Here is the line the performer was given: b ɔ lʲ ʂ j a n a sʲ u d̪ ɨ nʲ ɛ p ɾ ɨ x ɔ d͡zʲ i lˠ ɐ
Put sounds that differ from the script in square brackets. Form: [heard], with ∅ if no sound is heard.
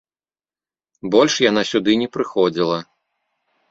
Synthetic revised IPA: b ɔ lʲ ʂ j a n a sʲ u d̪ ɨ nʲ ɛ p ɾ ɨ x ɔ d͡zʲ i lˠ ɐ

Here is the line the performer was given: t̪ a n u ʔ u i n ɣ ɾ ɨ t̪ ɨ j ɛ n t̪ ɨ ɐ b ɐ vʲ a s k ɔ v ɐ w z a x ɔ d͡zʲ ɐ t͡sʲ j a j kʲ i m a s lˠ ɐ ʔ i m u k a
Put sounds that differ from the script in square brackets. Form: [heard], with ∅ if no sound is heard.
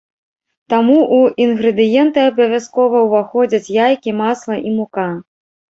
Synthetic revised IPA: t̪ a [m] u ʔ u i n ɣ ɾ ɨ [d̪] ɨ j ɛ n t̪ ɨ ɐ b ɐ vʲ a s k ɔ v ɐ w [v] a x ɔ d͡zʲ ɐ t͡sʲ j a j kʲ i m a s lˠ ɐ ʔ i m u k a

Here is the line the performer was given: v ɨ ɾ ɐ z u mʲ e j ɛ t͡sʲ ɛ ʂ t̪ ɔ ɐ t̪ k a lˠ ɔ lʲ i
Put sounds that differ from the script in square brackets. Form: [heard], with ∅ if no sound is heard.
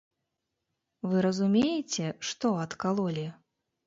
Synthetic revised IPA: v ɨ ɾ ɐ z u mʲ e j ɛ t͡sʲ ɛ ʂ t̪ ɔ ɐ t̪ k a lˠ ɔ lʲ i

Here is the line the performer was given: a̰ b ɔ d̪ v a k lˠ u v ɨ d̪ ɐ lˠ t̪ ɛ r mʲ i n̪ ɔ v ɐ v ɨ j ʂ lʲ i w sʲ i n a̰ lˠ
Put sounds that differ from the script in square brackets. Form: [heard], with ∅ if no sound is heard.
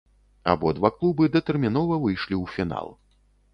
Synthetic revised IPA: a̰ b ɔ d̪ v a k lˠ u [b] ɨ d̪ ɐ [∅] t̪ ɛ r mʲ i n̪ ɔ v ɐ v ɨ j ʂ lʲ i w [fʲ] i n a̰ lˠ

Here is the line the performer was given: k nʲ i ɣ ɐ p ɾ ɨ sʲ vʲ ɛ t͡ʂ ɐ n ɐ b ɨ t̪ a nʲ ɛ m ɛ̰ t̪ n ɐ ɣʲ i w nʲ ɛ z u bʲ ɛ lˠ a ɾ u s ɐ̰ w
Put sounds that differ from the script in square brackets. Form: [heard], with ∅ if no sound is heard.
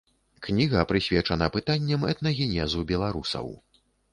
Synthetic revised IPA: k nʲ i ɣ ɐ p ɾ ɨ sʲ vʲ ɛ t͡ʂ ɐ n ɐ [p] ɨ t̪ a [nʲː] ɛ m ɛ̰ t̪ n ɐ ɣʲ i [∅] nʲ ɛ z u bʲ ɛ lˠ a ɾ u s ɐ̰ w

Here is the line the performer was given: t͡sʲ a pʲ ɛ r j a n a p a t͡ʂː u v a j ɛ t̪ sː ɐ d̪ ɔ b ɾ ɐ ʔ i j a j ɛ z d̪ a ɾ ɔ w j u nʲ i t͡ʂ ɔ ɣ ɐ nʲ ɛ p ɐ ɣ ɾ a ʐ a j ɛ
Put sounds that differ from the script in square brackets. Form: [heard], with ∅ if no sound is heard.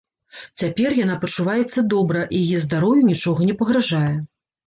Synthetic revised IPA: t͡sʲ a pʲ ɛ r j a n a p [ɐ] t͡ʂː u v a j ɛ t̪ sː ɐ d̪ ɔ b ɾ ɐ ʔ i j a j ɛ z d̪ a ɾ ɔ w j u nʲ i t͡ʂ ɔ ɣ ɐ nʲ ɛ p ɐ ɣ ɾ a ʐ a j ɛ

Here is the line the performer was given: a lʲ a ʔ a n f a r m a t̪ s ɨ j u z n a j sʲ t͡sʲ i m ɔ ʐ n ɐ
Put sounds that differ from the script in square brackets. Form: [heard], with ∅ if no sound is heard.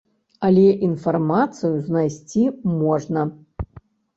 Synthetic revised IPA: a lʲ [ɛ] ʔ [i] n f a r m a t̪ s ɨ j u z n a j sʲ t͡sʲ i m ɔ ʐ n ɐ

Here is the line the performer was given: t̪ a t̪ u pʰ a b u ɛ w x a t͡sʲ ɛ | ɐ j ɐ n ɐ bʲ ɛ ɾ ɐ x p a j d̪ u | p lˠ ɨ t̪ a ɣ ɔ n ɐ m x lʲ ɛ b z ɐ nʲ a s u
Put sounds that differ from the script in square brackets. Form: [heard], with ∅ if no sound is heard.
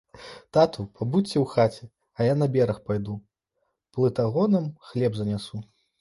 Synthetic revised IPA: t̪ a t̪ u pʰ a b u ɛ w x a t͡sʲ ɛ | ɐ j [a] n ɐ bʲ ɛ ɾ ɐ x p a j d̪ u | p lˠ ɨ t̪ a ɣ ɔ n ɐ m x lʲ ɛ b z ɐ nʲ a s u

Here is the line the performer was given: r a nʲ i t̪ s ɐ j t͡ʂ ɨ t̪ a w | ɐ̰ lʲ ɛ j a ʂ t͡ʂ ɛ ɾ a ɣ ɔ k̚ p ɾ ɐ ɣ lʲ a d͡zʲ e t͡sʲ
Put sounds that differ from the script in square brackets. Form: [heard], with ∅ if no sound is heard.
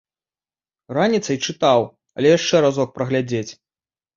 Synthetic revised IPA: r a nʲ i t̪ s ɐ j t͡ʂ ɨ t̪ a w | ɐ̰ lʲ ɛ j a ʂ t͡ʂ ɛ ɾ a [z] ɔ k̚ p ɾ ɐ ɣ lʲ a d͡zʲ e t͡sʲ

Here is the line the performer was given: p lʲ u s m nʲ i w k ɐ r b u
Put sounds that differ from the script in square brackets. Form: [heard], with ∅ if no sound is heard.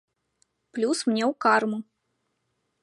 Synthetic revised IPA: p lʲ u s m nʲ [ɛ] w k [a] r [m] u

